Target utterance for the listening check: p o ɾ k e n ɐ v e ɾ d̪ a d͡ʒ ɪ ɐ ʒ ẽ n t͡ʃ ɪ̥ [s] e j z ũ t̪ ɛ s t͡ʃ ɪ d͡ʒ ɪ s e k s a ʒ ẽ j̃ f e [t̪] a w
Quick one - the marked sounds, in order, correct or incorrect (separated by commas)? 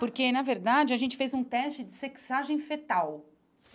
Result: incorrect, correct